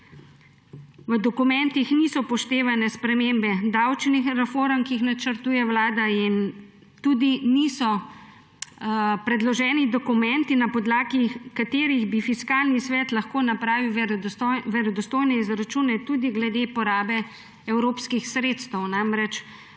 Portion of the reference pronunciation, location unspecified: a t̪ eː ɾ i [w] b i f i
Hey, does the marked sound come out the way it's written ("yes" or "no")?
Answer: no